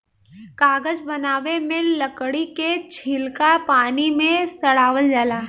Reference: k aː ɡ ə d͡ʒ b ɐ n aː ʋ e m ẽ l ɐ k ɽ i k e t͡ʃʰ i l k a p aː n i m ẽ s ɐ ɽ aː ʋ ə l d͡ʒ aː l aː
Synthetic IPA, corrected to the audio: k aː ɡ ə d͡ʒ b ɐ n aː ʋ e m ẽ l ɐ k ɽ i k e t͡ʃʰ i l k a p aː n i m ẽ s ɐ ɽ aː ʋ ə l d͡ʒ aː l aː

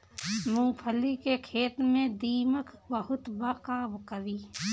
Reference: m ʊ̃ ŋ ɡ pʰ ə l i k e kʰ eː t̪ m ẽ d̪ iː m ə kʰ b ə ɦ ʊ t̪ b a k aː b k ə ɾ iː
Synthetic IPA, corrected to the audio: m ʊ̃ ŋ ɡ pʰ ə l i k e kʰ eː t̪ m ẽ d̪ iː m ə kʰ b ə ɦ ʊ t̪ b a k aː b k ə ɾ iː

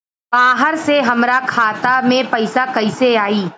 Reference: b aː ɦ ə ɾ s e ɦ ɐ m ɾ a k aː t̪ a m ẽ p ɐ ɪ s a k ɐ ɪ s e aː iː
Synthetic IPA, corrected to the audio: b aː ɦ ə ɾ s e ɦ ɐ m ɾ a kʰ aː t̪ a m ẽ p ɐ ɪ s a k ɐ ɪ s e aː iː

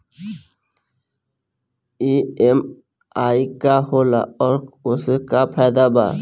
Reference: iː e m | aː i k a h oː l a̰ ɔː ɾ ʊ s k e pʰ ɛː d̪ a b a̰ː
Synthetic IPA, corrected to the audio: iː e m | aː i k a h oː l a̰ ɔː ɾ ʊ s k a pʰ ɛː d̪ a b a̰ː

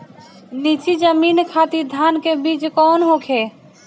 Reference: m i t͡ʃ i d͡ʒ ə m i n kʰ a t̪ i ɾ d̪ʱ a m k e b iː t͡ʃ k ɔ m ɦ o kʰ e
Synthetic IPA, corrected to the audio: n i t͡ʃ i d͡ʒ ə m i n kʰ a t̪ i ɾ d̪ʱ a n k e b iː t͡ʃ k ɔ n ɦ o kʰ e

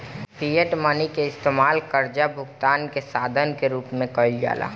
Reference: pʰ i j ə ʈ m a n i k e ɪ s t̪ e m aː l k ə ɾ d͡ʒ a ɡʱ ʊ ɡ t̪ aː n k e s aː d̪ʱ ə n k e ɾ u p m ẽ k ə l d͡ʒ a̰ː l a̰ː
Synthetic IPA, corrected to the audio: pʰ i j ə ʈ m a n i k e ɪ s t̪ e m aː l k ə ɾ d͡ʒ a bʱ ʊ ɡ t̪ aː n k e s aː d̪ʱ ə n k e ɾ uː p m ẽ k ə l d͡ʒ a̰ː l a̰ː

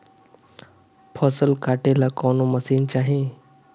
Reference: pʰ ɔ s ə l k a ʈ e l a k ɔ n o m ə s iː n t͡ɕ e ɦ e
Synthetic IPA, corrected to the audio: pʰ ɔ s ə l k a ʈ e l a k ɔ n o m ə s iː n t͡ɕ a ɦ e

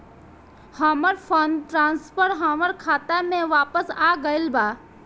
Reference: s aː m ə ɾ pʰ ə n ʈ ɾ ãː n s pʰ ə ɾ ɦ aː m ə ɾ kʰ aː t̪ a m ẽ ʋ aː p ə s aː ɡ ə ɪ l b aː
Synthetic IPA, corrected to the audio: h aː m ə ɾ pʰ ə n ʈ ɾ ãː n s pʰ ə ɾ ɦ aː m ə ɾ kʰ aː t̪ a m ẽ ʋ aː p ə s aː ɡ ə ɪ l b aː

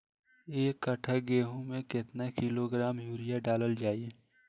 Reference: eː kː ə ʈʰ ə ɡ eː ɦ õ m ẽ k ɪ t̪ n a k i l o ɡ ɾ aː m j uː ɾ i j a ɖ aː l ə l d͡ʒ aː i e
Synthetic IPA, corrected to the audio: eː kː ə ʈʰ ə ɡ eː ɦ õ m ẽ k ɪ t̪ n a k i l o ɡ ɾ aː m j uː ɾ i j a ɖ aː l ə l d͡ʒ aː i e

